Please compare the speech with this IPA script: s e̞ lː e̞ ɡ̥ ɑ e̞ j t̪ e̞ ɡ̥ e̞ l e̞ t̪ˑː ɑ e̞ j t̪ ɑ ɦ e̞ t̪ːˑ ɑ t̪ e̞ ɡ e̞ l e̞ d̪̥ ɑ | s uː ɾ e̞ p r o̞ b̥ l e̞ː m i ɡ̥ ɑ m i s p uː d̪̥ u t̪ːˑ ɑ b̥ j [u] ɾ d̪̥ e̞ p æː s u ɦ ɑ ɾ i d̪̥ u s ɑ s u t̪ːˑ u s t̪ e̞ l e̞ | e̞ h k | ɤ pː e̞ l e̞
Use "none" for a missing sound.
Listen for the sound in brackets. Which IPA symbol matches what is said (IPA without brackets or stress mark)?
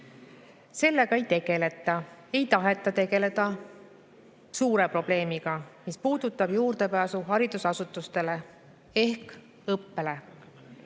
uː